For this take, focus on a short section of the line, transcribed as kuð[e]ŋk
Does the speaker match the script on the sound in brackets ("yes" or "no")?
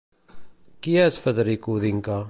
no